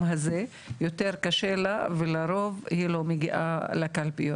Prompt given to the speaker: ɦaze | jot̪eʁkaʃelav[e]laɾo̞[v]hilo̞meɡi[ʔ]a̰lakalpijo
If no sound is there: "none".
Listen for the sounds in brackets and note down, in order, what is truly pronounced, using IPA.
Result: e, v, ʔ

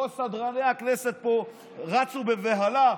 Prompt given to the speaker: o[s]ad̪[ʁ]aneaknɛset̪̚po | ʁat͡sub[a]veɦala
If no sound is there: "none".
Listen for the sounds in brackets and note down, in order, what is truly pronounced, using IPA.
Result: s, ʁ, e

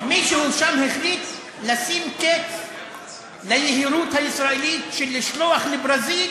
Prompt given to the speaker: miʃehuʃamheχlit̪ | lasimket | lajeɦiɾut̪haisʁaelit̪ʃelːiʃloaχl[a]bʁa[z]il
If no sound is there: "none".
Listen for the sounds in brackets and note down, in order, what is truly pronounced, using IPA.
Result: e, z

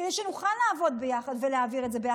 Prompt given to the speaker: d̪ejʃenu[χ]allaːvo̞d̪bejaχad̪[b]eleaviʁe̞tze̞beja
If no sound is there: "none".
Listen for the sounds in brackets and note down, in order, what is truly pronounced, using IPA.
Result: χ, v

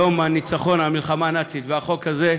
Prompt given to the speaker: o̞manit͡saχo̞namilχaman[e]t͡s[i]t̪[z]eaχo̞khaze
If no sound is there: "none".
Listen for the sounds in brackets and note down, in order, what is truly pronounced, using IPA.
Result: a, i, v

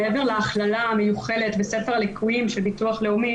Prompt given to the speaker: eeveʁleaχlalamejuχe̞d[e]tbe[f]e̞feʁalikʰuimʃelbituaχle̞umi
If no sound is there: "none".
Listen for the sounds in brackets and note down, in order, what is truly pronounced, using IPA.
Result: e, s

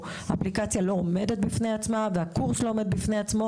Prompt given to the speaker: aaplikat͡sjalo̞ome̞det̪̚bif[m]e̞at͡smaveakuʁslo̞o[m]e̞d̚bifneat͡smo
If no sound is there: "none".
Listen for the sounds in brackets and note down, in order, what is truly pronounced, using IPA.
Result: n, m

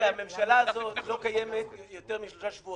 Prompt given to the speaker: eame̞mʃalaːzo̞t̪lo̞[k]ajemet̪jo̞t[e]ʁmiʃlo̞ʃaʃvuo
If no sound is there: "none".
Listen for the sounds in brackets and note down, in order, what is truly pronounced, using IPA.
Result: k, e

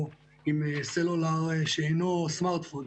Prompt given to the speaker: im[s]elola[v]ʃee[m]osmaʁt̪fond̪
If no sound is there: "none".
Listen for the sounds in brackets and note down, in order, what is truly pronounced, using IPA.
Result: s, ʁ, n

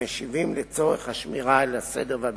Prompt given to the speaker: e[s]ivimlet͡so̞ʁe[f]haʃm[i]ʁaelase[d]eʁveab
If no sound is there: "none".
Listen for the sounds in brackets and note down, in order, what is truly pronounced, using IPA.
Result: ʃ, χ, i, d

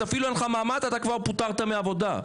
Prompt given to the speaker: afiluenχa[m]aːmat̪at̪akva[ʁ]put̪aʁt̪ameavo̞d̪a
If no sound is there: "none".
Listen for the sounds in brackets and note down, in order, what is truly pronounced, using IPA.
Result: m, ʁ

